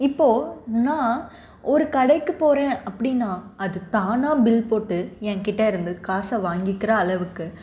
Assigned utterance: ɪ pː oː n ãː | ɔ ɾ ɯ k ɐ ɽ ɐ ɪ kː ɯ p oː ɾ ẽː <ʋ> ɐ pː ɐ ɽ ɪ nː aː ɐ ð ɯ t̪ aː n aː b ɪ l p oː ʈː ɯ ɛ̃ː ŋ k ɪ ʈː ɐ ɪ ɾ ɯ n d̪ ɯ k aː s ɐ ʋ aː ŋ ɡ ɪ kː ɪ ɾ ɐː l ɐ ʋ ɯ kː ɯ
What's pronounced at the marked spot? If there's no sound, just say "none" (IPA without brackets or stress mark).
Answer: none